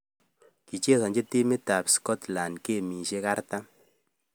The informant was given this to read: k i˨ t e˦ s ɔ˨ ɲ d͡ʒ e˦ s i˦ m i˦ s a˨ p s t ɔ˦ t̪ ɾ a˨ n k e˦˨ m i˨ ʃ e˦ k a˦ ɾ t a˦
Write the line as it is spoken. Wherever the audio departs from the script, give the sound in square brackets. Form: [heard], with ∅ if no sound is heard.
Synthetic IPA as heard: k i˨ [t͡ʃ] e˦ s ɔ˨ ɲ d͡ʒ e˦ [t] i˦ m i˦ [t] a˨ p s [k] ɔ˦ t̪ [l] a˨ n k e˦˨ m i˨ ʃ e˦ k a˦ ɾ t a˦